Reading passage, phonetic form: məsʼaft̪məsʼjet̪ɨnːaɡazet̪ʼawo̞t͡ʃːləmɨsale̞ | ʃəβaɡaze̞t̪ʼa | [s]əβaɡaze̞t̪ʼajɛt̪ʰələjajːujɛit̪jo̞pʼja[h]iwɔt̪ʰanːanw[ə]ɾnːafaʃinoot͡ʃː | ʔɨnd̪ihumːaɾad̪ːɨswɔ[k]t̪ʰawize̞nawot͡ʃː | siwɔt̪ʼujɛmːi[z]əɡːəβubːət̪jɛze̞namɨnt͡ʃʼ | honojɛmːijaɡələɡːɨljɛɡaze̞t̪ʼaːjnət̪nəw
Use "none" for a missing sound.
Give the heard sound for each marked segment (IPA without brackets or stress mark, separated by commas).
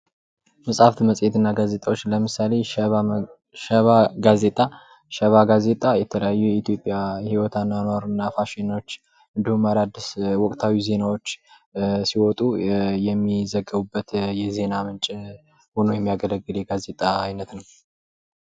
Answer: ʃ, h, a, kʼ, z